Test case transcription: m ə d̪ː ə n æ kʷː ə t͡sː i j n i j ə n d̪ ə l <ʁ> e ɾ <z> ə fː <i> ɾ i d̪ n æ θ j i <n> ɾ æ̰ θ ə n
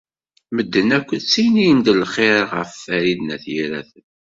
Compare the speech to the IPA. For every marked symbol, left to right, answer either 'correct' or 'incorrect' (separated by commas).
incorrect, incorrect, incorrect, incorrect